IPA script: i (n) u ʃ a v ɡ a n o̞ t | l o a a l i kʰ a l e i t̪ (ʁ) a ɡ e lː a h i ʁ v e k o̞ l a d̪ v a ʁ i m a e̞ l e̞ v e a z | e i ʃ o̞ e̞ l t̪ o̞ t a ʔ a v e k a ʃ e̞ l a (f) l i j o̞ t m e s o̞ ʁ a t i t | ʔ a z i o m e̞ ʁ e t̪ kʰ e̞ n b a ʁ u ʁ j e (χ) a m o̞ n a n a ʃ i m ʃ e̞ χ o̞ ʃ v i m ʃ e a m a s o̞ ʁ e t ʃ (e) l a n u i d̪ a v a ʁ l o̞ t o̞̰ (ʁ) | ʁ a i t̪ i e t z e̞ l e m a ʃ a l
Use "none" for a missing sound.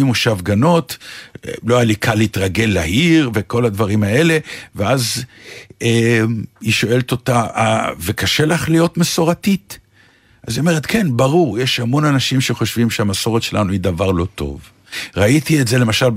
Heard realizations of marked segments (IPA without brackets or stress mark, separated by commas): m, ʁ, χ, ʃ, e, v